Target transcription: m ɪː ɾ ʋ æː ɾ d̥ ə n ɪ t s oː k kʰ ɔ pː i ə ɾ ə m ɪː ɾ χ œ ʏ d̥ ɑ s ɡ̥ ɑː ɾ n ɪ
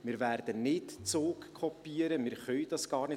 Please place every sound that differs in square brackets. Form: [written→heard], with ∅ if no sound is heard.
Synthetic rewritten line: m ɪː ɾ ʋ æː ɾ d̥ ə n ɪ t [s→t͡s] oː k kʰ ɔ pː i ə ɾ ə m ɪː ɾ χ œ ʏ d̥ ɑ s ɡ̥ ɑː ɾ n ɪ